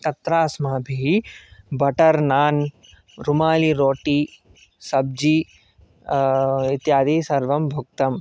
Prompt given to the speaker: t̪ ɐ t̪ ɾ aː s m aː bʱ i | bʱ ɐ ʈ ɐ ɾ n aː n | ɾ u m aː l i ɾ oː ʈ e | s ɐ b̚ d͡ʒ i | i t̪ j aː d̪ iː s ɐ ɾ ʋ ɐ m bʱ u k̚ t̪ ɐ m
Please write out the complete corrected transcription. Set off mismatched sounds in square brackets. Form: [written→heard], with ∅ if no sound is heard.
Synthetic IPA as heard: t̪ ɐ t̪ ɾ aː s m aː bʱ i | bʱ ɐ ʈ ɐ ɾ n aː n | ɾ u m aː l i ɾ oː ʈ [e→i] | s ɐ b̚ d͡ʒ i | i t̪ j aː d̪ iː s ɐ ɾ ʋ ɐ m bʱ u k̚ t̪ ɐ m